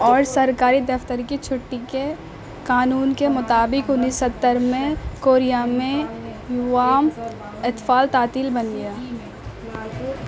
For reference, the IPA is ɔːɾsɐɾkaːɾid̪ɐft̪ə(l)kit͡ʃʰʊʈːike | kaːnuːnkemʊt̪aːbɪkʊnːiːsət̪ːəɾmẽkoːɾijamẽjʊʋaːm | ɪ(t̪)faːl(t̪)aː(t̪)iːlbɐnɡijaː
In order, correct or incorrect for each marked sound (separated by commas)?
incorrect, correct, correct, correct